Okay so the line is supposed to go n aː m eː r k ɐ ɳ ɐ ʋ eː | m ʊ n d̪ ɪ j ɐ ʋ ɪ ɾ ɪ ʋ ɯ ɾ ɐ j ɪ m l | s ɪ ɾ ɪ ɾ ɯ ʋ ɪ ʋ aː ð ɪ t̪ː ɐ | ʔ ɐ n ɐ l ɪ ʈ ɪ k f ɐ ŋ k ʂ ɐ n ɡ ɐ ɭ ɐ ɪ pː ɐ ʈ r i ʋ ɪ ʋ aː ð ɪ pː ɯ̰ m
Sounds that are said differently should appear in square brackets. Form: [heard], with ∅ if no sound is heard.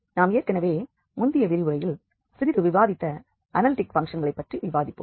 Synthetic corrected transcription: n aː m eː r k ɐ [n] ɐ ʋ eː | m ʊ n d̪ ɪ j ɐ ʋ ɪ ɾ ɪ ʋ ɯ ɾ ɐ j ɪ [∅] l | s ɪ ɾ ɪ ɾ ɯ ʋ ɪ ʋ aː ð ɪ t̪ː ɐ | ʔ ɐ n ɐ l ɪ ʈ ɪ k f ɐ ŋ k ʂ ɐ n ɡ ɐ ɭ ɐ ɪ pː ɐ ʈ r i ʋ ɪ ʋ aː ð ɪ pː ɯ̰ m